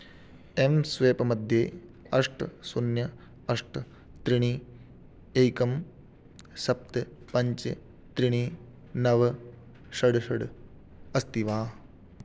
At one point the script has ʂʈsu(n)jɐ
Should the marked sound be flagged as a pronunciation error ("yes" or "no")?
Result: no